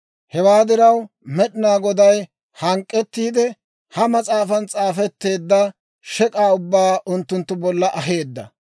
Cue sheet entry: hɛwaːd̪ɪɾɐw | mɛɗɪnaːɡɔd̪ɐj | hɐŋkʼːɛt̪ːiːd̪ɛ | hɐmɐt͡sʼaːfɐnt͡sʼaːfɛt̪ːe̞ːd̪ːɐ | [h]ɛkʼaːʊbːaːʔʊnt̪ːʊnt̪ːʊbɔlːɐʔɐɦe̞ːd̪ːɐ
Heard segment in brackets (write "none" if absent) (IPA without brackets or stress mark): ʃ